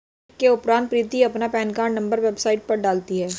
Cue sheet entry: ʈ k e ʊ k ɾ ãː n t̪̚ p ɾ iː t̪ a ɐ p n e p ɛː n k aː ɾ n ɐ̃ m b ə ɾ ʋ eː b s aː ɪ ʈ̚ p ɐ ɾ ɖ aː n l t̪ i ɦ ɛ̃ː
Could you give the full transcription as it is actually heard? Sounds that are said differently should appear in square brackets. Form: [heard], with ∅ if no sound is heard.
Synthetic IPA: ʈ k e ʊ [p] ɾ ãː n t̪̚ p ɾ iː t̪ [i] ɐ p n [a] p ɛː n k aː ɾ n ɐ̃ m b ə ɾ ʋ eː b s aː ɪ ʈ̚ p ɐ ɾ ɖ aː [∅] l t̪ i ɦ [ɛː]

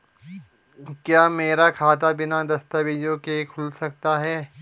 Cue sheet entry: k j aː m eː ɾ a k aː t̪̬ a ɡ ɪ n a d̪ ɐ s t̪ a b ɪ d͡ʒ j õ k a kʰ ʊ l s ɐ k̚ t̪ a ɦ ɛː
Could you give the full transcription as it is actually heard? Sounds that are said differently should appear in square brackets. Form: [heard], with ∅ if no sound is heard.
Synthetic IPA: k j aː m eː ɾ a [kʰ] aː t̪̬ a [b] ɪ n a d̪ ɐ s t̪ a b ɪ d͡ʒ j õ k [e] kʰ ʊ l s ɐ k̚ t̪ a ɦ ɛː

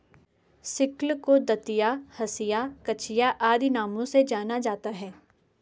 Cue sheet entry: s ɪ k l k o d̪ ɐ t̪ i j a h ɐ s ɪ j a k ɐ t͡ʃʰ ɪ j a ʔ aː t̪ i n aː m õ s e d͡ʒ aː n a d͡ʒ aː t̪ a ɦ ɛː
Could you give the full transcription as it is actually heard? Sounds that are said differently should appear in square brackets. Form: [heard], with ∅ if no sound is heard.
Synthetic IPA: s ɪ k l k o d̪ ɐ t̪ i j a h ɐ s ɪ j a k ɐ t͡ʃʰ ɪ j a ʔ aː [d̪] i n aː m õ s e d͡ʒ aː n a d͡ʒ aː t̪ a ɦ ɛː

